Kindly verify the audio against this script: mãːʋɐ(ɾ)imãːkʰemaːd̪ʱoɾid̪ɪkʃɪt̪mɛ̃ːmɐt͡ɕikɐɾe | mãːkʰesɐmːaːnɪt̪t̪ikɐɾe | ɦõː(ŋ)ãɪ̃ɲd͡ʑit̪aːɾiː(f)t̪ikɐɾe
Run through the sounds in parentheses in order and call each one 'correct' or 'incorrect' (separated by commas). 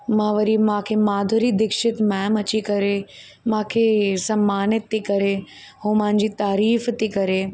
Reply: correct, incorrect, correct